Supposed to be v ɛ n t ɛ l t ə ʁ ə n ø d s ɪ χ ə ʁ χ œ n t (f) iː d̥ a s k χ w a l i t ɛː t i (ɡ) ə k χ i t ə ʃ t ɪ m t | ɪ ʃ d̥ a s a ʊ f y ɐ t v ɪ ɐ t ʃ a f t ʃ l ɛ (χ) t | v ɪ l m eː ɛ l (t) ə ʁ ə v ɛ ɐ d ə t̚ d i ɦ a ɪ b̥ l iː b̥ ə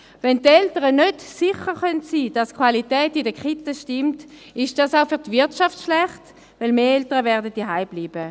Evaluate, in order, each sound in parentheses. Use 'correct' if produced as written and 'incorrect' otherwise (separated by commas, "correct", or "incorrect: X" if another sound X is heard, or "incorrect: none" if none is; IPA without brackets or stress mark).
incorrect: s, incorrect: d, correct, correct